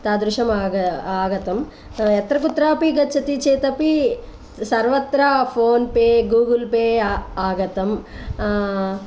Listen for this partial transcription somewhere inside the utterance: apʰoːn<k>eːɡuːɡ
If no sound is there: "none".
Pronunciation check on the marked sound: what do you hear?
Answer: p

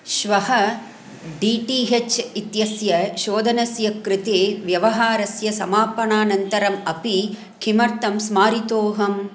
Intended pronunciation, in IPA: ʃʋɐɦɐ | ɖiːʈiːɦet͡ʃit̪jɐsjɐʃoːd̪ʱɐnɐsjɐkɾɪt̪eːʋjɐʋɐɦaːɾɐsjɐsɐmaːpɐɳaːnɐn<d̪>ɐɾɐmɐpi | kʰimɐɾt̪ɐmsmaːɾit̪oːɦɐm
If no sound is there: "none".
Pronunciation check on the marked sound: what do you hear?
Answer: t̪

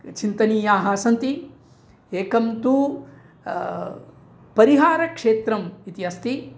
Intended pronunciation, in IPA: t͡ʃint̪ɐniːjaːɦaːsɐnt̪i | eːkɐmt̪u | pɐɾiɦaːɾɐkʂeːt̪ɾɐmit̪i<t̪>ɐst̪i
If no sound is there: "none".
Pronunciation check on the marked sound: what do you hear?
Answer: none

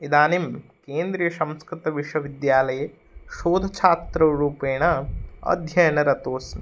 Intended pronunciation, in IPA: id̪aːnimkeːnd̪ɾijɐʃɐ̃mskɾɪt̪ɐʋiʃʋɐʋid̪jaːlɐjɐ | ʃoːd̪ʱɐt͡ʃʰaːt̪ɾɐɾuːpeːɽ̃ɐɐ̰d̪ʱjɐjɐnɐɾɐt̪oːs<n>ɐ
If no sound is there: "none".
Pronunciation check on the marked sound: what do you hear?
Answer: n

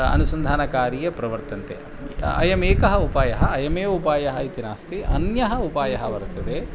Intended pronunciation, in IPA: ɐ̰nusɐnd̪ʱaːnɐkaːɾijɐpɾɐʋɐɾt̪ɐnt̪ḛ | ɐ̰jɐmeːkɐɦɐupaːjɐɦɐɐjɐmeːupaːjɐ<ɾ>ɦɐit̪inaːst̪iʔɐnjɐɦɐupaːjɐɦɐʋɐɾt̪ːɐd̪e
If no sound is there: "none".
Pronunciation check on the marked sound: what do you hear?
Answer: none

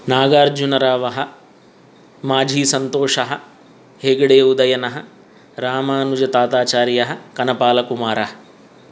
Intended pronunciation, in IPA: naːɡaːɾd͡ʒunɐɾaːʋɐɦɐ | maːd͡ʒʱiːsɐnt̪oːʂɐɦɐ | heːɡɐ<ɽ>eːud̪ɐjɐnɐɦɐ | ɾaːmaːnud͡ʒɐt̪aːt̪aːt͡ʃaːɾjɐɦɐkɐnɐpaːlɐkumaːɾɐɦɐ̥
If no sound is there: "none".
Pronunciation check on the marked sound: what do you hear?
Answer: ɽ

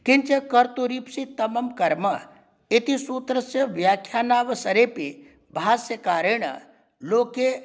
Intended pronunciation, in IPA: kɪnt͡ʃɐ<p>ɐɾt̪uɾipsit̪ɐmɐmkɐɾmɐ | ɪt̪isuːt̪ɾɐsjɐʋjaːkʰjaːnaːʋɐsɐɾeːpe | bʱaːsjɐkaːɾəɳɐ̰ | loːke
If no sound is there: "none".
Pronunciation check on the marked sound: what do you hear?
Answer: k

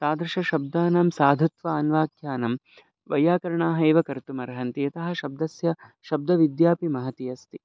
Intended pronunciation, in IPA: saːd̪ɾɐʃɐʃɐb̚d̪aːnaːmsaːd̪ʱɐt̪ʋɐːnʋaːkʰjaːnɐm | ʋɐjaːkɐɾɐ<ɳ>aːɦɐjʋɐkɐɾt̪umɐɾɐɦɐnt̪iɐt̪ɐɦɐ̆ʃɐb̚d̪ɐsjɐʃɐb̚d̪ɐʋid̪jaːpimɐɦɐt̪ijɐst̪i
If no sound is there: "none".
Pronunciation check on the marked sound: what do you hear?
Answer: ɳ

